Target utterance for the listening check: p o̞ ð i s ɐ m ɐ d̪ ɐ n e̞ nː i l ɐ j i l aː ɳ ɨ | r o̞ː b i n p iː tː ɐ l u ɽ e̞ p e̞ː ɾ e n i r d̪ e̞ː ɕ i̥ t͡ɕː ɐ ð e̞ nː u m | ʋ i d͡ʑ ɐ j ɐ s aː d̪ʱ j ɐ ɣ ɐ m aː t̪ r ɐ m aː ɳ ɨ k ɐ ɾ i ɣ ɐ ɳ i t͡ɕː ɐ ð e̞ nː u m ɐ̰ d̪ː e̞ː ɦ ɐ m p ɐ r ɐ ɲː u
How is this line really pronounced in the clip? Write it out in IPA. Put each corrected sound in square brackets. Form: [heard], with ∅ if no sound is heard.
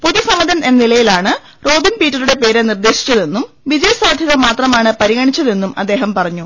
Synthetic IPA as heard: p o̞ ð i s ɐ m ɐ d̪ ɐ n e̞ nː i l ɐ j i l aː ɳ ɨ | r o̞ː b i n p iː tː ɐ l u ɽ e̞ p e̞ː ɾ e n i r d̪ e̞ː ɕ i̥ t͡ɕː ɐ ð e̞ nː u m | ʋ i d͡ʑ ɐ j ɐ s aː d̪ʱ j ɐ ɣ ɐ m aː t̪ r ɐ m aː ɳ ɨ [p] ɐ ɾ i ɣ ɐ ɳ i t͡ɕː ɐ ð e̞ nː u m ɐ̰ d̪ː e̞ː ɦ ɐ m p ɐ r ɐ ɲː u

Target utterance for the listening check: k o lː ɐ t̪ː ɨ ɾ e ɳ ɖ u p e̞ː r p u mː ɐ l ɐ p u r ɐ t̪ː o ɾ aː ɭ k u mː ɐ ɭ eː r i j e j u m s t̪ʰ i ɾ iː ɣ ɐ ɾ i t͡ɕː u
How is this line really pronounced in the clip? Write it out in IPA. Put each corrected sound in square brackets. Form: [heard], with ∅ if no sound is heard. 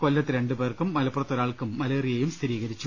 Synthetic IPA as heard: k o lː ɐ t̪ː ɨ ɾ e ɳ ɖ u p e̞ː r [k] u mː ɐ l ɐ p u r ɐ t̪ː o ɾ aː ɭ k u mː ɐ [l] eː r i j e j u m s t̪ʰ i ɾ iː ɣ ɐ ɾ i t͡ɕː u

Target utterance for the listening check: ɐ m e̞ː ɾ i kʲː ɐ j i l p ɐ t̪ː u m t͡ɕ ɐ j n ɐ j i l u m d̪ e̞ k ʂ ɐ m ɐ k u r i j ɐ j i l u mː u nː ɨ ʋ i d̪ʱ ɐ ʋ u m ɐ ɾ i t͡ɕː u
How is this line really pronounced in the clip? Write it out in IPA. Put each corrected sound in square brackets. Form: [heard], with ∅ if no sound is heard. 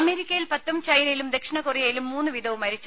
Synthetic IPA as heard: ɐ m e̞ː ɾ i kʲː ɐ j i l p ɐ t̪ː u m t͡ɕ ɐ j n ɐ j i l u m d̪ e̞ k ʂ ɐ [ɳ] ɐ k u r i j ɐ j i l u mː [uː] nː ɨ ʋ i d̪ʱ ɐ ʋ u m ɐ ɾ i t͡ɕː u

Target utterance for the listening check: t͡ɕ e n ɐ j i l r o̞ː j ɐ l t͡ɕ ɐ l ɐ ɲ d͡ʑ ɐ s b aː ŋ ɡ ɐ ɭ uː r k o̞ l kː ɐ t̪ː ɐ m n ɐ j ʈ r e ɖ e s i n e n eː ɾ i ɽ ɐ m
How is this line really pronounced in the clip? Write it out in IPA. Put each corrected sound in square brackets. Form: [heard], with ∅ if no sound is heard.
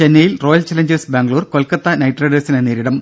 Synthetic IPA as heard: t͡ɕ e [nː] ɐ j i l r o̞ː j ɐ l t͡ɕ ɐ l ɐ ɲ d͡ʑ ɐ s b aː ŋ ɡ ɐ ɭ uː r k o̞ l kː ɐ t̪ː ɐ [∅] n ɐ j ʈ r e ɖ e s i n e n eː ɾ i ɽ ɐ m

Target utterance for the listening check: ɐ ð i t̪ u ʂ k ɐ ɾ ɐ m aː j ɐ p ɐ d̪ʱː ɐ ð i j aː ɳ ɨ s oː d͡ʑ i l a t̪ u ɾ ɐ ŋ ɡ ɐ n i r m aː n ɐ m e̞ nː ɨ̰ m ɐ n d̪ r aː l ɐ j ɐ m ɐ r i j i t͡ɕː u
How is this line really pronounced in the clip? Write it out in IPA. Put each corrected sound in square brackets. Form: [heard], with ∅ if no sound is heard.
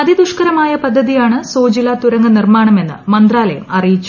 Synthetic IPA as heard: ɐ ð i [d̪] u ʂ k ɐ ɾ ɐ m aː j ɐ p ɐ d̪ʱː ɐ ð i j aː ɳ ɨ s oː d͡ʑ i l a t̪ u ɾ ɐ ŋ ɡ ɐ n i r m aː [ɳ] ɐ m e̞ nː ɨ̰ m ɐ n d̪ r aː l ɐ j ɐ m ɐ r i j i t͡ɕː u

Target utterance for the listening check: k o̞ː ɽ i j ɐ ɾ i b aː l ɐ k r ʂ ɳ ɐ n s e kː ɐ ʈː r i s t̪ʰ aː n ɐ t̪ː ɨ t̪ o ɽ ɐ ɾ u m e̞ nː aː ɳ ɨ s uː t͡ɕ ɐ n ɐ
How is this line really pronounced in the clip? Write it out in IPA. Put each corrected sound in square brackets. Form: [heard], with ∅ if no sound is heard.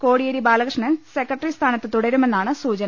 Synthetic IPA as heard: k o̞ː ɽ i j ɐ ɾ i b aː l ɐ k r ʂ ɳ ɐ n s e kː ɐ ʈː r i s t̪ʰ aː n ɐ t̪ː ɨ t̪ [u] ɽ ɐ ɾ u m e̞ nː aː ɳ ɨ s uː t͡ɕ ɐ n ɐ

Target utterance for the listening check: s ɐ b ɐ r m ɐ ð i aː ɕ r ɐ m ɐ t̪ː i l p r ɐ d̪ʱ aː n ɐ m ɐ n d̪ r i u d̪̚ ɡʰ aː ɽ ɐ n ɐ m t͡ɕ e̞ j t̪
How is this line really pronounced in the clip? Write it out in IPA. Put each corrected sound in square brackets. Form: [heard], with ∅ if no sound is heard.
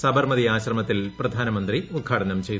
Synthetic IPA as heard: s ɐ b ɐ r m ɐ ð i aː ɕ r ɐ m ɐ t̪ː i l p r ɐ d̪ʱ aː n ɐ m ɐ n d̪ r i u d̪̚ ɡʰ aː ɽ ɐ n ɐ m t͡ɕ e̞ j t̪

